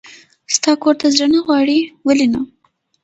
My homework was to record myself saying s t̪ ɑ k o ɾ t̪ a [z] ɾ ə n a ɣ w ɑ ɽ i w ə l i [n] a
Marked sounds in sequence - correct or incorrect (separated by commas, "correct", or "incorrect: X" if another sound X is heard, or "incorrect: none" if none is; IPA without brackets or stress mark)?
correct, correct